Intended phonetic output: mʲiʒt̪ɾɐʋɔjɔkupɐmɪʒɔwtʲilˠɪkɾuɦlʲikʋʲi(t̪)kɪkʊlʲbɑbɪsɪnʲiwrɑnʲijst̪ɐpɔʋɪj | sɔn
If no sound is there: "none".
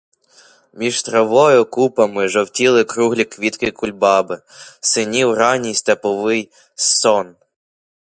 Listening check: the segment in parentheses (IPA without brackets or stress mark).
t̪